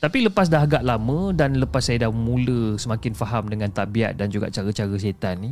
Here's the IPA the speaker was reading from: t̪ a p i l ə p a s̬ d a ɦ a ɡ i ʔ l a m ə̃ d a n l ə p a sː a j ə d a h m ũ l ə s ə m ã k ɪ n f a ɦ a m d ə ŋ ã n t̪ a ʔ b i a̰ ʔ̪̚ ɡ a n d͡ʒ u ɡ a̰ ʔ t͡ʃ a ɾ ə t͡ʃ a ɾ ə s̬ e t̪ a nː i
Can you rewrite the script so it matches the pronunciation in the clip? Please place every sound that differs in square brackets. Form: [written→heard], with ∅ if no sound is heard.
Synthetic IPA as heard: t̪ a p i l ə p a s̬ d a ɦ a ɡ [i→a] ʔ l a m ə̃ d a n l ə p a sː a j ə d a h m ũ l ə s ə m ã k ɪ n f a ɦ a m d ə ŋ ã n t̪ a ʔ b i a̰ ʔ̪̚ [ɡ→d] a n d͡ʒ u ɡ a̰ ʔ t͡ʃ a ɾ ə t͡ʃ a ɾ ə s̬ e t̪ a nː i